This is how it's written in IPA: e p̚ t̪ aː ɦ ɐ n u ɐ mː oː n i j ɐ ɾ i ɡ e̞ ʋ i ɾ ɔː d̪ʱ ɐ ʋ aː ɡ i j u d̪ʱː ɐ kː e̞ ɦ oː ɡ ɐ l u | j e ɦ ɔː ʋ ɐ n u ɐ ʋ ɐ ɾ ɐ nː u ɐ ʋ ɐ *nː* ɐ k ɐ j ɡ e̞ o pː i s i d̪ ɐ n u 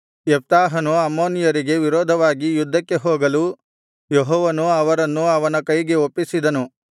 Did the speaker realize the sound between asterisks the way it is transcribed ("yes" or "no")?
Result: no